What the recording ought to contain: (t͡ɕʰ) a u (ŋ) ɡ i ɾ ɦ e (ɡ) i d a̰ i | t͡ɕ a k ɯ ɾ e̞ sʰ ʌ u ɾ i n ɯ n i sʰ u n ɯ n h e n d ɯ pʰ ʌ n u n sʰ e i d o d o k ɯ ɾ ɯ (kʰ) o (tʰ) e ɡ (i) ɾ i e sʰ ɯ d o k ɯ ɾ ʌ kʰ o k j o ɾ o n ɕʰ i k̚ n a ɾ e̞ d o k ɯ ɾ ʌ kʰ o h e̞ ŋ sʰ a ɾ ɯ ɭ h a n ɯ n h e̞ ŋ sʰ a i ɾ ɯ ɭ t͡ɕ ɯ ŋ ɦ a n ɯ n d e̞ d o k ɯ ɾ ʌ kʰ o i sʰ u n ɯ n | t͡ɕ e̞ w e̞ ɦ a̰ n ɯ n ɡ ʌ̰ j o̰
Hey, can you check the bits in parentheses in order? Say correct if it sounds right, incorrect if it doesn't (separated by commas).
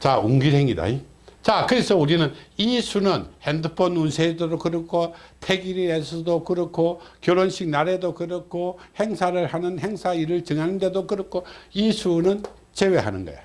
incorrect, correct, incorrect, correct, correct, correct